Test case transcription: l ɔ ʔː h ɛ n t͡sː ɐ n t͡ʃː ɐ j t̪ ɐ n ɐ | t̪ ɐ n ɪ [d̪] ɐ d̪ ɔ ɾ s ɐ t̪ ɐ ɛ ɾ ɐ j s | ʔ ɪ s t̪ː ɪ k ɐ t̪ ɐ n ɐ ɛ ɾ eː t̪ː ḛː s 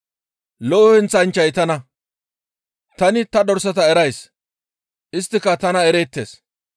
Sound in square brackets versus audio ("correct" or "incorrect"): incorrect